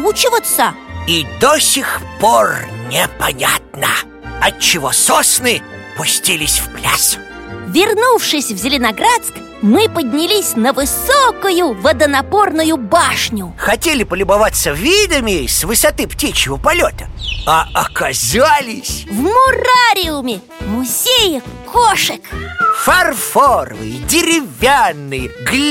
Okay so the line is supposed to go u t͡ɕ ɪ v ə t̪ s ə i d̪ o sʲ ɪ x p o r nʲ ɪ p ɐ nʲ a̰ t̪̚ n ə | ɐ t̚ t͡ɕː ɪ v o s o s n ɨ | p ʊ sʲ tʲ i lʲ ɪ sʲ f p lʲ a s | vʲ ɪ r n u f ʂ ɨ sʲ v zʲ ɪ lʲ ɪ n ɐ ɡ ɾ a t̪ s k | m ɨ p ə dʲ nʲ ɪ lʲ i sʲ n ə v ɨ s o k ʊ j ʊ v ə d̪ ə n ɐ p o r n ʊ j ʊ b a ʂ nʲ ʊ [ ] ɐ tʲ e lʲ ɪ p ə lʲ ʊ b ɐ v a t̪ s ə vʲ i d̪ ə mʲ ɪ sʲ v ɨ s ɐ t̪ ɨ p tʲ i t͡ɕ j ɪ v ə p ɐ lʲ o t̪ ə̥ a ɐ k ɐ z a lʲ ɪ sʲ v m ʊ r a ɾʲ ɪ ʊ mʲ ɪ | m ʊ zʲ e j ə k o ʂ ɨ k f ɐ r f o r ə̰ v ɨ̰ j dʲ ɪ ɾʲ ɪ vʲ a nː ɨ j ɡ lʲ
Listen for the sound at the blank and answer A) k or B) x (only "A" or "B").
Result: B